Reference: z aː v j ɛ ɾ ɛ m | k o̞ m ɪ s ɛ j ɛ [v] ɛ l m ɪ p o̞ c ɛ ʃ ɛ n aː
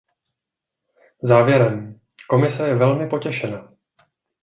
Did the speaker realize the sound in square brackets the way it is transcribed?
yes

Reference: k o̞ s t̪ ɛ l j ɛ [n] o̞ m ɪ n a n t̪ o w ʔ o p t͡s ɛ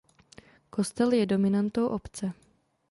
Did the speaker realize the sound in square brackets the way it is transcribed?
no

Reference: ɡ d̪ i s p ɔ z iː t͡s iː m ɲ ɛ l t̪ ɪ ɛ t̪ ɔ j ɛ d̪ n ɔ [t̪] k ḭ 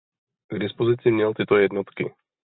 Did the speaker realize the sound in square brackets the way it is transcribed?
yes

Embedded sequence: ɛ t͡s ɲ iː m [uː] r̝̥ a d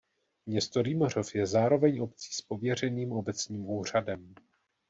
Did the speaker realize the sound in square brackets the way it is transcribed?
yes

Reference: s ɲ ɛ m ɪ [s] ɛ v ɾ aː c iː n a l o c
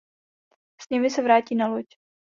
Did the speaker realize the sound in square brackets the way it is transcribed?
yes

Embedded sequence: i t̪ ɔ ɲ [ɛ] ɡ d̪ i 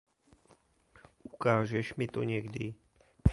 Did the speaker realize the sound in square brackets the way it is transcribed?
yes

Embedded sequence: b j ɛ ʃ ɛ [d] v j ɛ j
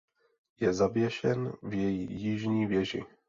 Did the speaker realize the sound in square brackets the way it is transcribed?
no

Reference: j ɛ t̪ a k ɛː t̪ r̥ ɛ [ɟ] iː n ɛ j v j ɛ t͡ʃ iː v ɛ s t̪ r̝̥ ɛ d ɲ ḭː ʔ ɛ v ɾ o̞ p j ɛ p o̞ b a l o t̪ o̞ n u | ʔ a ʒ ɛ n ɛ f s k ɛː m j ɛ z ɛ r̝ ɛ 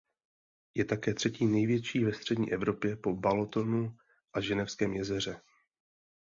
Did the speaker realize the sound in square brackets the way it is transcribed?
no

